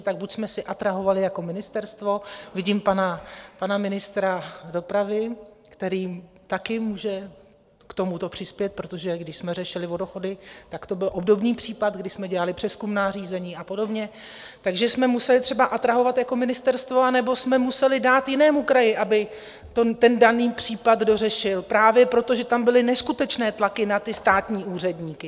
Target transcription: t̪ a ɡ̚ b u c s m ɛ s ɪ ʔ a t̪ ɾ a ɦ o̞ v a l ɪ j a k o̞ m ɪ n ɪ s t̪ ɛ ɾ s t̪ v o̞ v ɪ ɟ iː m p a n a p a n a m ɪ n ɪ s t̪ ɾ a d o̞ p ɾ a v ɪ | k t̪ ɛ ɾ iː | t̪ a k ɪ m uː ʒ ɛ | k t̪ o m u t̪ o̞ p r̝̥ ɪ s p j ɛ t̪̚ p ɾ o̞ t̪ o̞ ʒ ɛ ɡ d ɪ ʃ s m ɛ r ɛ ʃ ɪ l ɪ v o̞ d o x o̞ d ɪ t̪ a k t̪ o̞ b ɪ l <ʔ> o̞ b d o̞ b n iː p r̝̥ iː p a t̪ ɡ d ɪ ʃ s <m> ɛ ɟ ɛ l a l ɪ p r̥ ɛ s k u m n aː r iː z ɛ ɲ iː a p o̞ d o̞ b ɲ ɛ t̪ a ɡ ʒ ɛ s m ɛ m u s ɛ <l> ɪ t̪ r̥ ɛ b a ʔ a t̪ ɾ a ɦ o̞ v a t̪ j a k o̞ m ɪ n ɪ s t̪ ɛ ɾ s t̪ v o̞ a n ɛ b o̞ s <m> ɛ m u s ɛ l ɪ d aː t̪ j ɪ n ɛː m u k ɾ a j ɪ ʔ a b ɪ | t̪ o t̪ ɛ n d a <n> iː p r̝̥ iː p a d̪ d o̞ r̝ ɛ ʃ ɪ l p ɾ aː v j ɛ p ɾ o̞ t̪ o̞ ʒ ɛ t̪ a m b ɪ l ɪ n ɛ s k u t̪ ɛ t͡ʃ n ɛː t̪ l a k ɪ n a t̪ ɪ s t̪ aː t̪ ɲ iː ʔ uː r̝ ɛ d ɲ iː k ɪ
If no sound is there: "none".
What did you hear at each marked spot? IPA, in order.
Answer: ʔ, m, l, m, n

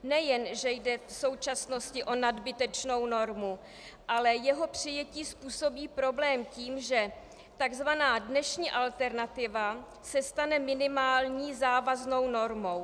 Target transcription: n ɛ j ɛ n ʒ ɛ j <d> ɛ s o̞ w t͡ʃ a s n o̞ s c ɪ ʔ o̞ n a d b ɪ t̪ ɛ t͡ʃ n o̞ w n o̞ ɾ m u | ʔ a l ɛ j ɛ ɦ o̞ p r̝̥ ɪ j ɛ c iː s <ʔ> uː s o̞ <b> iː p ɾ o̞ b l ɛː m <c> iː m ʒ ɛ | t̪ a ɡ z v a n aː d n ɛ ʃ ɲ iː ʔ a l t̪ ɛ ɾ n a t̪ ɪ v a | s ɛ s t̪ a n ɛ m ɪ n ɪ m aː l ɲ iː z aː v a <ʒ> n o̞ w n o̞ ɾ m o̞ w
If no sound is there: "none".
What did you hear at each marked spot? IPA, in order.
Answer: d, p, b, c, z

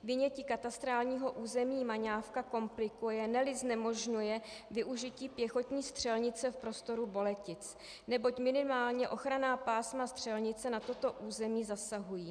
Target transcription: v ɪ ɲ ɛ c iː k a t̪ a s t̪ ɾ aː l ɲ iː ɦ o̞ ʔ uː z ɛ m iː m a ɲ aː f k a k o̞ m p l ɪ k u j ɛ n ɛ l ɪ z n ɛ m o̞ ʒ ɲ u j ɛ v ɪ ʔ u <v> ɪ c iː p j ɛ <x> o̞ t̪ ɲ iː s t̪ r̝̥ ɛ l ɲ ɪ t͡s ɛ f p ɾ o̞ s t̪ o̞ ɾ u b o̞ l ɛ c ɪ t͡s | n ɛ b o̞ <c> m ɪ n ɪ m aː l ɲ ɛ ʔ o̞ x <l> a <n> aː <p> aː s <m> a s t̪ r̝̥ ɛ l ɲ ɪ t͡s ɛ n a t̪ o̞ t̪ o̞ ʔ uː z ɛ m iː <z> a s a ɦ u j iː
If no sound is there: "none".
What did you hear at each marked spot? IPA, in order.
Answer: ʒ, x, c, ɾ, n, p, m, z

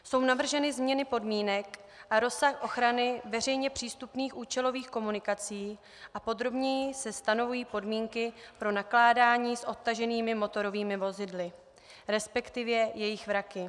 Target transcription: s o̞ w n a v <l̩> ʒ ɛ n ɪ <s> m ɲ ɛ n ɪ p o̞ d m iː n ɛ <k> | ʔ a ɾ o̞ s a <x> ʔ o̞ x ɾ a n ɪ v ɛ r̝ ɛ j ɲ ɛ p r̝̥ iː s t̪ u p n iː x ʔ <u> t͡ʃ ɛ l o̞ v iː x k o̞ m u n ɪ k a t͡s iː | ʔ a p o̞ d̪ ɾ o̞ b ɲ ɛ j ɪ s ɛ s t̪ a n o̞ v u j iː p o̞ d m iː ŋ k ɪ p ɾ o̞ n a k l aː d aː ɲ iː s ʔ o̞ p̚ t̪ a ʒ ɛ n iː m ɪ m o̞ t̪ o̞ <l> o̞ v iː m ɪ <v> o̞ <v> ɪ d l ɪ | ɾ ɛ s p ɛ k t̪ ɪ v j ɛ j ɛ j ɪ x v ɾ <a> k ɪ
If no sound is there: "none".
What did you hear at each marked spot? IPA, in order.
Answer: r̩, z, k, x, uː, ɾ, v, z, a

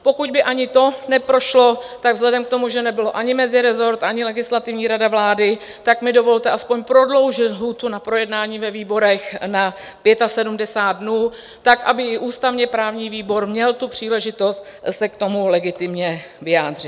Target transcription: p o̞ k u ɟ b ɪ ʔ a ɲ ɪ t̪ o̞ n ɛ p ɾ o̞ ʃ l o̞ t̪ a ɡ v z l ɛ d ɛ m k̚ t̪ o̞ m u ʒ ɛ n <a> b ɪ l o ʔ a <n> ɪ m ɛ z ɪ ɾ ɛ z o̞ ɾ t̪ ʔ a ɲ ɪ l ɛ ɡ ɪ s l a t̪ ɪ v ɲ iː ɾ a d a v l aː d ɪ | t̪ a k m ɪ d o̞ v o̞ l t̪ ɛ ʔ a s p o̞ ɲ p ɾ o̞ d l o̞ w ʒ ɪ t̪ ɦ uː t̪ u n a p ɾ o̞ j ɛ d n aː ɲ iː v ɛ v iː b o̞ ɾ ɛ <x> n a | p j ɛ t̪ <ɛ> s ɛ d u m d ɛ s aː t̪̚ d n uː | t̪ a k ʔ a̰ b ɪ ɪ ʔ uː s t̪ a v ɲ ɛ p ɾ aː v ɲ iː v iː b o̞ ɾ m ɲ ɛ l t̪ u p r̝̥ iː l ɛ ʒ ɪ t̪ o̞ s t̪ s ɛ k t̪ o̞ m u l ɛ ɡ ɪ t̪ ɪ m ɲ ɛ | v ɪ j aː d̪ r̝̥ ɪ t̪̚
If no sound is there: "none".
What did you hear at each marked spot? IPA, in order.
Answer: ɛ, ɲ, x, a

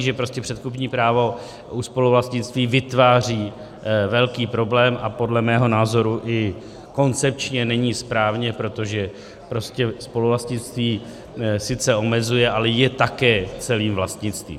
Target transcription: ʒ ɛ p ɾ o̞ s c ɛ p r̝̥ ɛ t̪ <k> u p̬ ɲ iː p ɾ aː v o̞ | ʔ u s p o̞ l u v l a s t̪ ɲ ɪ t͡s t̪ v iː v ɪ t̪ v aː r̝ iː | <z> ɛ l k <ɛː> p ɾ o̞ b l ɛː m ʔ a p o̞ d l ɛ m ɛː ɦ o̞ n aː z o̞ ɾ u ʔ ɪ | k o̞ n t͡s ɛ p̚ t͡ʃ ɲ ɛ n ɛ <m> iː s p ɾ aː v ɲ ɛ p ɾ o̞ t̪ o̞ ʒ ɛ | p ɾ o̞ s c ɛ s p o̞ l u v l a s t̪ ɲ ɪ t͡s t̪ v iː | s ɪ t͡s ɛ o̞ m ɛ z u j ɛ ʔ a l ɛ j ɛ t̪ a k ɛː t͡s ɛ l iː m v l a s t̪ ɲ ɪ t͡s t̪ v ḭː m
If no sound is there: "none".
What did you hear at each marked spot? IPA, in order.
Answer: k, v, iː, ɲ

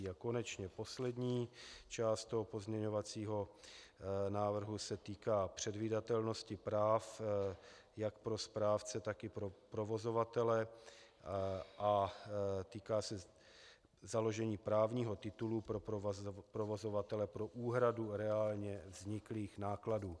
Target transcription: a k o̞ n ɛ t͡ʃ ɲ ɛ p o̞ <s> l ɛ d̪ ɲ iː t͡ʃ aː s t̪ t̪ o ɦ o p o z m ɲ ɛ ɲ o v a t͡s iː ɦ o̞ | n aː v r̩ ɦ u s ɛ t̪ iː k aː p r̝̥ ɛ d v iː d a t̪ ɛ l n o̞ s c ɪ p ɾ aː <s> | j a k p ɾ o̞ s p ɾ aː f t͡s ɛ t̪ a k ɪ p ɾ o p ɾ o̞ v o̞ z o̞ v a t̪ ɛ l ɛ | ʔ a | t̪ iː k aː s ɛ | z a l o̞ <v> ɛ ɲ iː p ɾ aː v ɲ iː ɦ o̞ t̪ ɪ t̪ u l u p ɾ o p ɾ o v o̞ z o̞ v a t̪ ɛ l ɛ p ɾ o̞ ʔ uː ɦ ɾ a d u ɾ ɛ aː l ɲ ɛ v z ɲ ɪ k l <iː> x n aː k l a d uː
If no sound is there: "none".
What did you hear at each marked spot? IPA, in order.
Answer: s, f, ʒ, iː

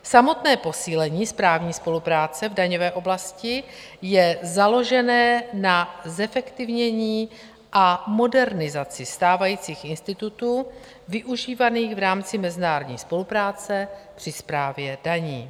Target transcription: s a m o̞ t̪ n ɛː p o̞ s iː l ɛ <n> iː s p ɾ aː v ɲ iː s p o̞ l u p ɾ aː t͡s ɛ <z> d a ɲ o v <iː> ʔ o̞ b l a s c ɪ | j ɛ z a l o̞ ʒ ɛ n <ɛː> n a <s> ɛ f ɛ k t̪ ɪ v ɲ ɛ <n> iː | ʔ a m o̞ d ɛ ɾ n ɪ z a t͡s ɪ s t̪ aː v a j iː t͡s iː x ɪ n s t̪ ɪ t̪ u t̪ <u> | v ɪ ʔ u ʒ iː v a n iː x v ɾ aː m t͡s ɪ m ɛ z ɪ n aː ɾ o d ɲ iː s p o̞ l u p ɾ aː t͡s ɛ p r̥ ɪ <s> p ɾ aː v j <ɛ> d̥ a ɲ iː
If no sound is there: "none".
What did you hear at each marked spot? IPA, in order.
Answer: ɲ, v, ɛː, ɛː, z, ɲ, uː, s, ɛ

